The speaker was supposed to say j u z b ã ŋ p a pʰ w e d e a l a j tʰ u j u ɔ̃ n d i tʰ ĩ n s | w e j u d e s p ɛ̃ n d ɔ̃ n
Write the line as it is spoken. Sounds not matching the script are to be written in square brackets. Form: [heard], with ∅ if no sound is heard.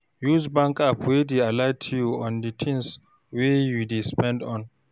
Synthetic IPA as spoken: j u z b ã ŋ [k] a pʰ w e d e a l a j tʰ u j u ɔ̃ n d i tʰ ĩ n s | w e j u d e s p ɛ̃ n d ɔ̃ n